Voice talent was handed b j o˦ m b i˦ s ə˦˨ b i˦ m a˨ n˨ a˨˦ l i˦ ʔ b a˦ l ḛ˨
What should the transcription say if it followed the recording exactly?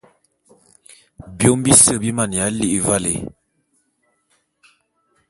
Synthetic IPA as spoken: b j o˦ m b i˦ s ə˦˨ b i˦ m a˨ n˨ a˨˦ l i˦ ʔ v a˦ l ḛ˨